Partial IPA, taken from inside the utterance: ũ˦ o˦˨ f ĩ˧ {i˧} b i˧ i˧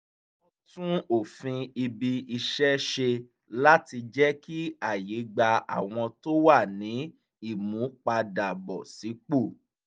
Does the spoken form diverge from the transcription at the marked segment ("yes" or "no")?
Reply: no